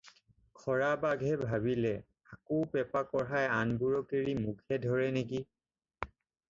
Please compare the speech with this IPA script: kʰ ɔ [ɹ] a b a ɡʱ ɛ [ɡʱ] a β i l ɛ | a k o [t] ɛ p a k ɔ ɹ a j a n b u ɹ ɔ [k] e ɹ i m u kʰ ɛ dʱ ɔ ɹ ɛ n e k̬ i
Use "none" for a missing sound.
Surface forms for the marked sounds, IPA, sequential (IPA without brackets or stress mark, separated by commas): ɹ, bʱ, p, k